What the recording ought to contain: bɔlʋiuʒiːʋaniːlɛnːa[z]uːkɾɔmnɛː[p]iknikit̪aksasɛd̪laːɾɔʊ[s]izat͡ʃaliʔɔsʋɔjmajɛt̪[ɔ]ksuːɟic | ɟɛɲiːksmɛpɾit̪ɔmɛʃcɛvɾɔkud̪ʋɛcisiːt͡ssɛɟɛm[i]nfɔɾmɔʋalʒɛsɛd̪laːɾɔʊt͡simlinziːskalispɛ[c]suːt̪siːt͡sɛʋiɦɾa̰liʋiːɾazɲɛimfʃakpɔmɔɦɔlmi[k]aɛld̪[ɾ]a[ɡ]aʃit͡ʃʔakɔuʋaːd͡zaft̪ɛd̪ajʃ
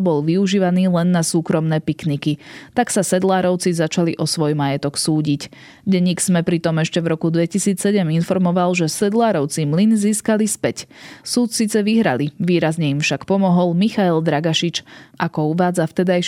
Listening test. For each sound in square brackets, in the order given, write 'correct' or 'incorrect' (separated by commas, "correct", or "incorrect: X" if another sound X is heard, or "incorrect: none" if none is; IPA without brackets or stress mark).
incorrect: s, correct, incorrect: t͡s, correct, correct, correct, incorrect: x, correct, correct